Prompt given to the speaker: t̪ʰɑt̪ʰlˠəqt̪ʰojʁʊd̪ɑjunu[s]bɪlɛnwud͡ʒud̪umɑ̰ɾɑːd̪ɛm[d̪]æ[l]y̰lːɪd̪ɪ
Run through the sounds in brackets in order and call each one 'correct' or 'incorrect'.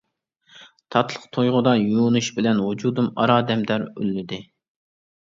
incorrect, correct, incorrect

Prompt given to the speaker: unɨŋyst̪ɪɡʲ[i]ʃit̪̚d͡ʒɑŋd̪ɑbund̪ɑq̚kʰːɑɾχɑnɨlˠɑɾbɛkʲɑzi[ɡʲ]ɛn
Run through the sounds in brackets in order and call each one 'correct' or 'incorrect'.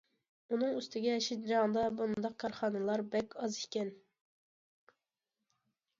incorrect, incorrect

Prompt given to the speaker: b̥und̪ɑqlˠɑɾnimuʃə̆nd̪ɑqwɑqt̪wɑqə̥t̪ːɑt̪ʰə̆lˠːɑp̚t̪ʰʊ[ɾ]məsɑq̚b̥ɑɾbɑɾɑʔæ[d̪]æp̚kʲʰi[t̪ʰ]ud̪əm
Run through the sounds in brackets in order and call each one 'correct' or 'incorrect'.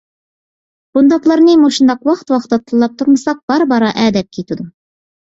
correct, correct, incorrect

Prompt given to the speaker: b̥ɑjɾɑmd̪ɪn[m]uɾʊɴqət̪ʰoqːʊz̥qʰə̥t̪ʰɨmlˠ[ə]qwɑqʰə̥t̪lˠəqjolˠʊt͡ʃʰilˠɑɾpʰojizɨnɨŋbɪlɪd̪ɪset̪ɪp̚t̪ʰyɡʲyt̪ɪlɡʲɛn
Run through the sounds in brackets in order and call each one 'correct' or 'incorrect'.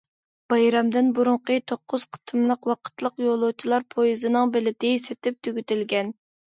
incorrect, correct

